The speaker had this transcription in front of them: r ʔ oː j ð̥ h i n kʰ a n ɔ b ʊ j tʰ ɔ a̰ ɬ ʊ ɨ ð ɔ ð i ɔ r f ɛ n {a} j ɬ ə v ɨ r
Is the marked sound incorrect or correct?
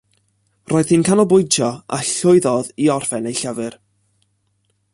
incorrect